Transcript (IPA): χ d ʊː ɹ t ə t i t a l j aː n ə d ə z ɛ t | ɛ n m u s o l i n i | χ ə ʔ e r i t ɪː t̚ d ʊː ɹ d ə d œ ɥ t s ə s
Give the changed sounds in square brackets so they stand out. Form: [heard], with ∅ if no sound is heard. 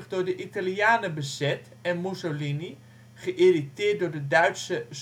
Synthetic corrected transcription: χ d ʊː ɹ [d] ə [ʔ] i t a l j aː n ə [b] ə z ɛ t | ɛ n m u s o l i n i | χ ə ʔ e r i t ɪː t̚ d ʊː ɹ d ə d œ ɥ t s ə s